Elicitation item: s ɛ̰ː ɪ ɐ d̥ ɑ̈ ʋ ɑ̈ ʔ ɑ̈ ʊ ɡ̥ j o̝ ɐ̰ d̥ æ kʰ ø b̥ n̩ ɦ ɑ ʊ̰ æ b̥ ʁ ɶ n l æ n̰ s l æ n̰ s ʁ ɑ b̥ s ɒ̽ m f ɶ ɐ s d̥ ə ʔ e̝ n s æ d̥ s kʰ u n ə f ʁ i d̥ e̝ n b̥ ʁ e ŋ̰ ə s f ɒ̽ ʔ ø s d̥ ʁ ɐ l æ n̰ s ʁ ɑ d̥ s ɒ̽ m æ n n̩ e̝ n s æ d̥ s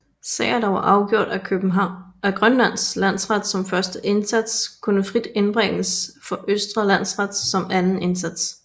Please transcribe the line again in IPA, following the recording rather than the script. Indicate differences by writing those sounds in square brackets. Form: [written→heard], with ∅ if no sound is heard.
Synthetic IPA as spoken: s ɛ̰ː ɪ ɐ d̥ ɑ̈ ʋ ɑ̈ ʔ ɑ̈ ʊ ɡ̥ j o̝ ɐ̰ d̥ æ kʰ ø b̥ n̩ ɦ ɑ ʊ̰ æ [b̥→ɡ̥] ʁ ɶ n l æ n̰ s l æ n̰ s ʁ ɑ [b̥→d̥] s ɒ̽ m f ɶ ɐ s d̥ ə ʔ e̝ n s æ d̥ s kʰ u n ə f ʁ i d̥ e̝ n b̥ ʁ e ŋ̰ ə s f ɒ̽ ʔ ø s d̥ ʁ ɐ l æ n̰ s ʁ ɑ d̥ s ɒ̽ m æ n n̩ e̝ n s æ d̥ s